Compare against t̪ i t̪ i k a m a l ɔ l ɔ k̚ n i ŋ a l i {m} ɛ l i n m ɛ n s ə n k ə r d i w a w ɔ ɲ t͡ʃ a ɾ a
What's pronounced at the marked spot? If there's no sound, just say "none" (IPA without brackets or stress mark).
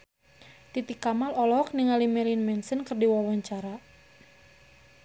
m